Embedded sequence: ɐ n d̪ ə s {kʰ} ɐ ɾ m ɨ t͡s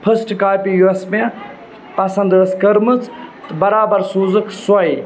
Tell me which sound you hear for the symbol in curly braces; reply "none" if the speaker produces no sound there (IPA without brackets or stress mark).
k